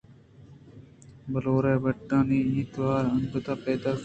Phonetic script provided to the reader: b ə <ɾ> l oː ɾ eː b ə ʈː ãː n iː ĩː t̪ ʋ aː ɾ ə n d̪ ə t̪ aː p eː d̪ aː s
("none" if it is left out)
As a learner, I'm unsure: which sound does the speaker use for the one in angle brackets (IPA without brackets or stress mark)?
none